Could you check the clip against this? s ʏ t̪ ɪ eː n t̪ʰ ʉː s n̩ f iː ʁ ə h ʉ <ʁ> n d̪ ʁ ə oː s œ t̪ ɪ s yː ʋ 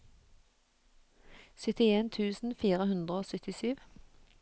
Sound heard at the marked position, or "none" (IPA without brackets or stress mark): none